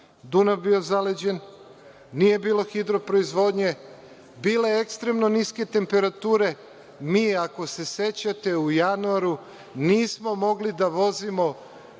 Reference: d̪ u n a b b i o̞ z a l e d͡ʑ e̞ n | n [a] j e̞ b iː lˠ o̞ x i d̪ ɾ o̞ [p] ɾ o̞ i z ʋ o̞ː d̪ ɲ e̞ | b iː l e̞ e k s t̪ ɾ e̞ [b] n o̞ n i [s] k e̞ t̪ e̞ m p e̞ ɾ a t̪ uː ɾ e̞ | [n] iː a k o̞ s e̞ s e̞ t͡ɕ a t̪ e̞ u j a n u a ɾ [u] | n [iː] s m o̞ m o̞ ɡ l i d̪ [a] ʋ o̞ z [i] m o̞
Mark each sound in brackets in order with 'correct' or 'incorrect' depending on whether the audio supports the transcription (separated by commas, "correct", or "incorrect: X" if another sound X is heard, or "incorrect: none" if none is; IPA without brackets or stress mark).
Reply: incorrect: i, correct, incorrect: m, correct, incorrect: m, correct, correct, correct, correct